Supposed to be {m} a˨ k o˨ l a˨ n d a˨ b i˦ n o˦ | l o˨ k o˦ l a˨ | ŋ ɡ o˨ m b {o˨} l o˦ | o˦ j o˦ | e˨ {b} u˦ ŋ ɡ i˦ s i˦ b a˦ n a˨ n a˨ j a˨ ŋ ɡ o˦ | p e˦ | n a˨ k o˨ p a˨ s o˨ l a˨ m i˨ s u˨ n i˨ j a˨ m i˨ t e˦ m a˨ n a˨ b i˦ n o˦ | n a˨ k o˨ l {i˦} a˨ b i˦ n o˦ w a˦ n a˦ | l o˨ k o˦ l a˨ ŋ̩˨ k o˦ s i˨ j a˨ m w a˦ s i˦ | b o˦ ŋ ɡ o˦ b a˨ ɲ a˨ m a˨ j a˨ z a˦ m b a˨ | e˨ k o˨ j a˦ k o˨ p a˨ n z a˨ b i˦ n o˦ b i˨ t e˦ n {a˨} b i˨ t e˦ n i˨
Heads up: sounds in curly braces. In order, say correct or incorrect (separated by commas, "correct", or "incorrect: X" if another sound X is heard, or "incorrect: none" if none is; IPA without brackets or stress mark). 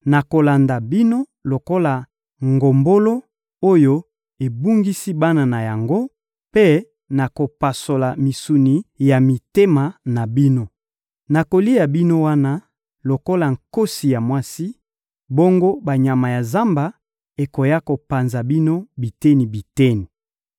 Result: incorrect: n, incorrect: o˦, correct, correct, incorrect: i˨